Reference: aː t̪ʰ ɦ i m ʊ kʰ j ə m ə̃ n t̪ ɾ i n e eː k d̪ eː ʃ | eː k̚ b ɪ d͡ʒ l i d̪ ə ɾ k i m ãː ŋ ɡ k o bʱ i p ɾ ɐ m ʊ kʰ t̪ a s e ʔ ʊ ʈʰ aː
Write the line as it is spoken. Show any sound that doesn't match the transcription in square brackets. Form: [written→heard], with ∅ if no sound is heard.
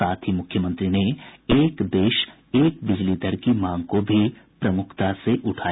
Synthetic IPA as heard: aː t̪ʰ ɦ i m ʊ kʰ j ə m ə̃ n t̪ ɾ i n e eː k d̪ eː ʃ | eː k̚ b ɪ d͡ʒ l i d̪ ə ɾ k i m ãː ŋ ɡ k o bʱ i p ɾ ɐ m ʊ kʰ t̪ a s e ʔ ʊ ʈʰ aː